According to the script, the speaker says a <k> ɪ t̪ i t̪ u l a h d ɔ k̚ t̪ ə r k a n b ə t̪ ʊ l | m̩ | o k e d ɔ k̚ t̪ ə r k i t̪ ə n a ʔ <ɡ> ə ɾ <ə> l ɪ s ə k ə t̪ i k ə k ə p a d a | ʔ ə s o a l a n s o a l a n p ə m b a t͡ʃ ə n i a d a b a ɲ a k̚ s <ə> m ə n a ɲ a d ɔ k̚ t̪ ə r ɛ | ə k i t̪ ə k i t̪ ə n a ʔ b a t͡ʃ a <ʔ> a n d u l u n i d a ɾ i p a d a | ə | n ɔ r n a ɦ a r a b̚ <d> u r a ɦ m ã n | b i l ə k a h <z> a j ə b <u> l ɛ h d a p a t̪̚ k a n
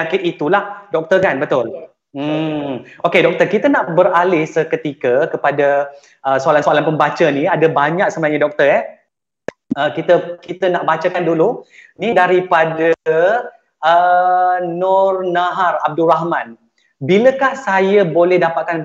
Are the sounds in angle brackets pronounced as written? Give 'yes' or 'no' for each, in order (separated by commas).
yes, no, no, yes, no, yes, no, no